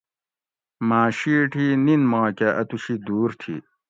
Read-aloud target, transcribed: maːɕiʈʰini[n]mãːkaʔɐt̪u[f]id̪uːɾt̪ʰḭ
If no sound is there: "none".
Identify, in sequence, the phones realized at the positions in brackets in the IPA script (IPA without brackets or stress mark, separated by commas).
n, ɕ